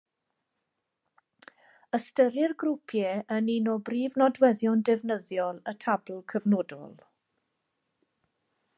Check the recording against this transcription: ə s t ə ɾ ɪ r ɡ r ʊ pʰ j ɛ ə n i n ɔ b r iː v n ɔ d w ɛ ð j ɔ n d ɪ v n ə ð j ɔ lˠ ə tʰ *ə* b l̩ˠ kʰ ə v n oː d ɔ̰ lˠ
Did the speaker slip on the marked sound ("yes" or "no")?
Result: yes